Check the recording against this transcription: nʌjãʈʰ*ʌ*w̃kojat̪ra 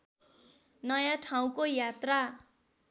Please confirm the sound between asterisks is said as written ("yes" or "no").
no